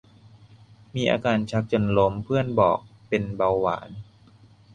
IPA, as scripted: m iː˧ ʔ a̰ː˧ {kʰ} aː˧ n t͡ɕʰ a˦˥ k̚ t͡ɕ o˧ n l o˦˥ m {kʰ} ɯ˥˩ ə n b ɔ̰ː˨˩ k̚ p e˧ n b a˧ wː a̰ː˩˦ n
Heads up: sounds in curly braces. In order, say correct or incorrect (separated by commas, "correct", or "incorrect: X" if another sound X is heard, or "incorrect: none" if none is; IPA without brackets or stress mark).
incorrect: k, incorrect: pʰ